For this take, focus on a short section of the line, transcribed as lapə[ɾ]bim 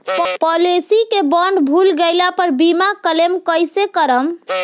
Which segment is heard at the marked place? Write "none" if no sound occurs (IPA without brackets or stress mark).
ɾ